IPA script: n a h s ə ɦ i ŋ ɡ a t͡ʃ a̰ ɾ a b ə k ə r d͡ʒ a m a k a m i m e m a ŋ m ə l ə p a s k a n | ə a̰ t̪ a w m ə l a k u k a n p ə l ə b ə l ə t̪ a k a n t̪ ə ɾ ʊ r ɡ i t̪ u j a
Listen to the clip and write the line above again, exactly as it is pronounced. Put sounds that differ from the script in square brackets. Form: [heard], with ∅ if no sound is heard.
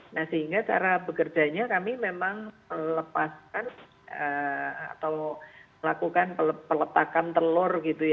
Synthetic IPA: n a h s ə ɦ i ŋ ɡ a t͡ʃ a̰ ɾ a b ə k ə r d͡ʒ a [ɲ] a k a m i m e m a ŋ m ə l ə p a s k a n | ə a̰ t̪ a w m ə l a k u k a n p ə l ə [p] ə l ə t̪ a k a n t̪ ə [l] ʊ r ɡ i t̪ u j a